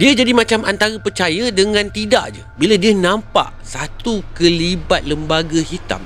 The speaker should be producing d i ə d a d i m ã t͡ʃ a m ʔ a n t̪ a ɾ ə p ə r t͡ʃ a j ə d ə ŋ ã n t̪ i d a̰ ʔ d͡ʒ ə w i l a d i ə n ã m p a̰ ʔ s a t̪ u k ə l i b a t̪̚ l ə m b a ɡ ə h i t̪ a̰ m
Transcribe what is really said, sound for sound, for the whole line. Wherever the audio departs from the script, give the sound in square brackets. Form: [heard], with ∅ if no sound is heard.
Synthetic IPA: d i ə [d͡ʒ] a d i m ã t͡ʃ a m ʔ a n t̪ a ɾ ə p ə r t͡ʃ a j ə d ə ŋ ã n t̪ i d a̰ ʔ d͡ʒ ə [b] i l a d i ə n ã m p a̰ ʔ s a t̪ u k ə l i b a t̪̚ l ə m b a ɡ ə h i t̪ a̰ m